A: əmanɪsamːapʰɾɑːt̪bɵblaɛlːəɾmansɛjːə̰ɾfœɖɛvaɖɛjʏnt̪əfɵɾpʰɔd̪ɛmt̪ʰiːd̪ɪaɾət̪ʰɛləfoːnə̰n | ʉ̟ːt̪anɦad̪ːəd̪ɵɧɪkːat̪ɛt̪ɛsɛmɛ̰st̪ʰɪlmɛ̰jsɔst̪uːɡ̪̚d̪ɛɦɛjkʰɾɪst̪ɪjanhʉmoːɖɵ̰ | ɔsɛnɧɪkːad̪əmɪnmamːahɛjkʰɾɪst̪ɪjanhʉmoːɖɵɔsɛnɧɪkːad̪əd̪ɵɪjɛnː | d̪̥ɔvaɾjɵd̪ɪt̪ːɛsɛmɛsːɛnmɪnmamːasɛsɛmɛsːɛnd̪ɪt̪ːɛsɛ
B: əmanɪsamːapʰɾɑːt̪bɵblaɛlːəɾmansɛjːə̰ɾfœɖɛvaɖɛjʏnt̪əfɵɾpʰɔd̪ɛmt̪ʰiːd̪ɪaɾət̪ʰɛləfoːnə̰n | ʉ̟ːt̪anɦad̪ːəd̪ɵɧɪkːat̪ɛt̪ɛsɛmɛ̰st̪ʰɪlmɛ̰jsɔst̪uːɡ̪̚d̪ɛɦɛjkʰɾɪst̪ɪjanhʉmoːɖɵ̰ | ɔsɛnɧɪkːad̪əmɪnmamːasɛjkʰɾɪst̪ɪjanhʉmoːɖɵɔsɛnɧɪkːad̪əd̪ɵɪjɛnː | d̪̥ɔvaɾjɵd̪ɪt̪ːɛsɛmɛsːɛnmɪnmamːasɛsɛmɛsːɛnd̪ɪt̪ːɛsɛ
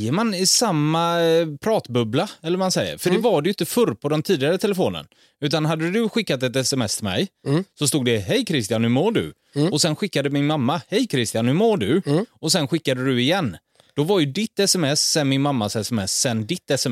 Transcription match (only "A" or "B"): A